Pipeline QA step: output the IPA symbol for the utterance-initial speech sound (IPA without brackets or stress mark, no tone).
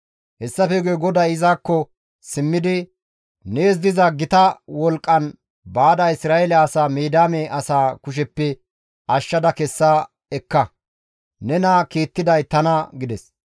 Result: h